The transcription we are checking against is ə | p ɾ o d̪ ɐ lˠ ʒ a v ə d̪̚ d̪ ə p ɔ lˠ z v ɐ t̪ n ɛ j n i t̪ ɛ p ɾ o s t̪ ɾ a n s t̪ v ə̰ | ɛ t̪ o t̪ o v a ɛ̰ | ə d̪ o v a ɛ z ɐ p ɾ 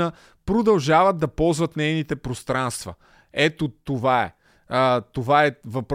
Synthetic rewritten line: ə | p ɾ o d̪ ɐ lˠ ʒ a v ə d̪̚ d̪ ɐ p ɔ lˠ z v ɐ t̪ n ɛ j n i t̪ ɛ p ɾ o s t̪ ɾ a n s t̪ v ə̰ | ɛ t̪ o t̪ o v a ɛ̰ | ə t̪ o v a ɛ v ɐ p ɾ